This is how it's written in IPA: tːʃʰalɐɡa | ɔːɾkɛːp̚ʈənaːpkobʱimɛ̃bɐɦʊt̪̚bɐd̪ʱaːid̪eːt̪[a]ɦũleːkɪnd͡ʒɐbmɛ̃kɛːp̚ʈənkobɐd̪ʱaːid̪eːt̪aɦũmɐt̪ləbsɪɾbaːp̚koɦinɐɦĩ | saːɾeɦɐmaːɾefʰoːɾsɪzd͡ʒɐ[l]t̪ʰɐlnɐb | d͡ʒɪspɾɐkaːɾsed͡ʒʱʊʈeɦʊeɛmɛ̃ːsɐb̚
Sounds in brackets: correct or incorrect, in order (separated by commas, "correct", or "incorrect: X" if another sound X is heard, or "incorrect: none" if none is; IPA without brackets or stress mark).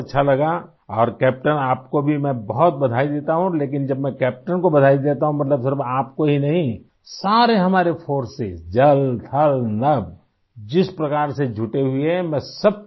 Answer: correct, correct